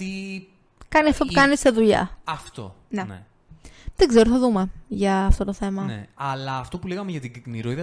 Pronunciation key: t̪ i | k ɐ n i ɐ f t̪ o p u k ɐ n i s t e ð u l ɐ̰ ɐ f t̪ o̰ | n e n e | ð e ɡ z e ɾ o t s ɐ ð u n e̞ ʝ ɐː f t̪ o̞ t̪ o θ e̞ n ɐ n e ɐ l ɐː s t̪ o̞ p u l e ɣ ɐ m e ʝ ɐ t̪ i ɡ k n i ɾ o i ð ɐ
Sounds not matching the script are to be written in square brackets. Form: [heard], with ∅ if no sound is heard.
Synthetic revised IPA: t̪ i | k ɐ n i ɐ f t̪ o p u k ɐ n i s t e ð u [ʎ] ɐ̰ ɐ f t̪ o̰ | n e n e | ð e ɡ z e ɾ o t [θ] ɐ ð u [m] e̞ ʝ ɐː f t̪ o̞ t̪ o θ e̞ [m] ɐ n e ɐ l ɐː [f] t̪ o̞ p u l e ɣ ɐ m e ʝ ɐ t̪ i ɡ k n i ɾ o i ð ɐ